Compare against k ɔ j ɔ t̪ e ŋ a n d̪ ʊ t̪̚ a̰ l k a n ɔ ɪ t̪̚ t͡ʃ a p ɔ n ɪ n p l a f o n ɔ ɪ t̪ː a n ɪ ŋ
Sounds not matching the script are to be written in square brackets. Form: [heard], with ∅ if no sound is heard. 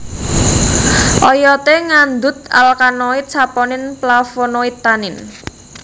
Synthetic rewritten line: [ʔ] ɔ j ɔ t̪ e ŋ a n d̪ ʊ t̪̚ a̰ l k a n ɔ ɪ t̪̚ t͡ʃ a p ɔ n ɪ n p l a f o n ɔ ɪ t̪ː a n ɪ [n]